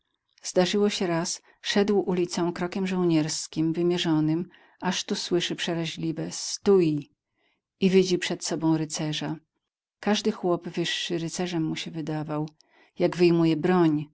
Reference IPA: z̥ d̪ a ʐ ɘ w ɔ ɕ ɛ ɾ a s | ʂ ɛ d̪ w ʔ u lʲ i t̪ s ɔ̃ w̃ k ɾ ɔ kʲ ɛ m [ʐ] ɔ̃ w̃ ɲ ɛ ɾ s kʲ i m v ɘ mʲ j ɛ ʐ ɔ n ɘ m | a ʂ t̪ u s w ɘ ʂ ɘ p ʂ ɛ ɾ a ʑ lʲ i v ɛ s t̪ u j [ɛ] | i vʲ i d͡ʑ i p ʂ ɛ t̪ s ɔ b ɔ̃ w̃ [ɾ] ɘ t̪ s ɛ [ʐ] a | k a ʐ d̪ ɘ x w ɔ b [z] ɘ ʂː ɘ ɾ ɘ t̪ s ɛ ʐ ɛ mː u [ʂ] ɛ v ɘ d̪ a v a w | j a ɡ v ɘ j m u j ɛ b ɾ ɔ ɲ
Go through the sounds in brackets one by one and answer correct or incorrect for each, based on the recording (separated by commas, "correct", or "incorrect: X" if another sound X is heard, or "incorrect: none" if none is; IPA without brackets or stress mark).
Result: correct, incorrect: i, correct, correct, incorrect: v, incorrect: ɕ